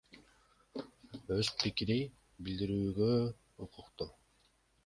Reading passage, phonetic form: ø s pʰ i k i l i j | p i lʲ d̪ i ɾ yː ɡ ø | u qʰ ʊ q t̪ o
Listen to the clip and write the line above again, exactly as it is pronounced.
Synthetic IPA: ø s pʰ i k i ɾ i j | b i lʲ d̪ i ɾ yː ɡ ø | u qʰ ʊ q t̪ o